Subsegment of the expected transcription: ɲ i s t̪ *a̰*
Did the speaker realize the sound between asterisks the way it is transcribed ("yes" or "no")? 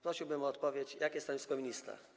yes